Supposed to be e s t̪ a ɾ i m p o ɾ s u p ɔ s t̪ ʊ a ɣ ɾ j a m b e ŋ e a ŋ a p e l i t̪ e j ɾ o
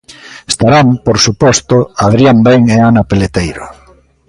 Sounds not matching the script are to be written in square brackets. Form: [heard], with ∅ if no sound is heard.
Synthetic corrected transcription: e s t̪ a ɾ [a] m p o ɾ s u p ɔ s t̪ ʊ a [ð] ɾ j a m b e ŋ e a [n] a p e l [e] t̪ e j ɾ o